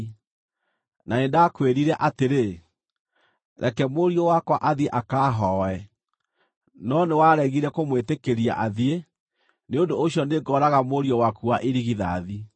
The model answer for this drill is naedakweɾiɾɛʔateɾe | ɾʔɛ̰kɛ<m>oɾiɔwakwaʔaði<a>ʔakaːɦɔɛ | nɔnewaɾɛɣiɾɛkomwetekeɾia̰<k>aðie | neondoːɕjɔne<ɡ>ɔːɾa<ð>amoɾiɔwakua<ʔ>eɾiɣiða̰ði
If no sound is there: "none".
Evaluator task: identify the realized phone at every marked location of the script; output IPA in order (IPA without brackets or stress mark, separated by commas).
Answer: m, e, ʔ, ɡ, ɣ, ʔ